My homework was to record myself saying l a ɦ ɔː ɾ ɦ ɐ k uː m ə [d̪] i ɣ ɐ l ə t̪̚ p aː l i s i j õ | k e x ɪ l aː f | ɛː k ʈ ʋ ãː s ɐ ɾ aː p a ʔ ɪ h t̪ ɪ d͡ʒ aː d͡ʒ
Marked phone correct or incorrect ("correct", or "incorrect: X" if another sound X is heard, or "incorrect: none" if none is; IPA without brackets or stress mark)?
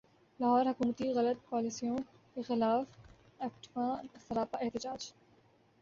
incorrect: t̪